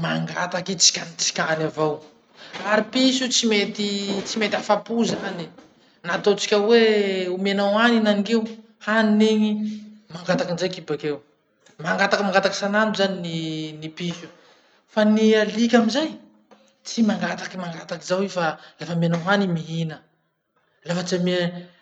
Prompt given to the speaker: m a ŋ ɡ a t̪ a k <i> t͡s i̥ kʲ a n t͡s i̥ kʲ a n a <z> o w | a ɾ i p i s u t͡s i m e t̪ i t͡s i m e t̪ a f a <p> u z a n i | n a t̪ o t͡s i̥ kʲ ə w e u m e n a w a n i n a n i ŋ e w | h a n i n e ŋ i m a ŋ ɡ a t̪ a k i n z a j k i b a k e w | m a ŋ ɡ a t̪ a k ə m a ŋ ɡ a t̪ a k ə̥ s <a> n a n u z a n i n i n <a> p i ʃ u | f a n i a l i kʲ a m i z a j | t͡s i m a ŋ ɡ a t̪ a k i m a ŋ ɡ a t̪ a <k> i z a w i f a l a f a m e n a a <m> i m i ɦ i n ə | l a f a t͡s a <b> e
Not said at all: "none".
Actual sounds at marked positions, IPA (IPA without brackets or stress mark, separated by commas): i, v, p, a, i, k, n, m